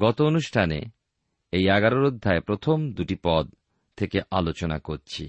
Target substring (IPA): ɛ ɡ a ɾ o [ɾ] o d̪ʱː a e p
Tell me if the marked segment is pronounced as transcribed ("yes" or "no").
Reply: yes